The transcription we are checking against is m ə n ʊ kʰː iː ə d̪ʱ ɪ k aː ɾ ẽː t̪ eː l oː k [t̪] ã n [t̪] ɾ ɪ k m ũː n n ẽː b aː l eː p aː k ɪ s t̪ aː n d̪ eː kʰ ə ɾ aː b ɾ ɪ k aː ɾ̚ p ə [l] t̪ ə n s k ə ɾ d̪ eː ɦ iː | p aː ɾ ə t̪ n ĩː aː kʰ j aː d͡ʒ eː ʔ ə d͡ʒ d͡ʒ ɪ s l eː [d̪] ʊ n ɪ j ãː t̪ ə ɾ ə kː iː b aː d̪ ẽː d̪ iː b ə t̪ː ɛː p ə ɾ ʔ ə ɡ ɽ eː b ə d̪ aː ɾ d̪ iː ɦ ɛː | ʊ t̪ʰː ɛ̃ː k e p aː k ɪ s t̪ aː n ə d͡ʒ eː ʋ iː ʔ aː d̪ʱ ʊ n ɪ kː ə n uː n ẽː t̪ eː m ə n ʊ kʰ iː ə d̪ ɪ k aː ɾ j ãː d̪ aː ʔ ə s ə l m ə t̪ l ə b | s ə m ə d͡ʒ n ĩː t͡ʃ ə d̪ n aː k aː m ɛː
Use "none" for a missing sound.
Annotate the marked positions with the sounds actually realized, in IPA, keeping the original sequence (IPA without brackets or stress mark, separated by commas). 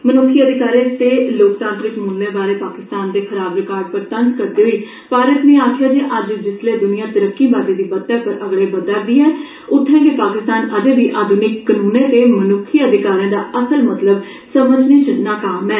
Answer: t̪, t̪, ɾ, d̪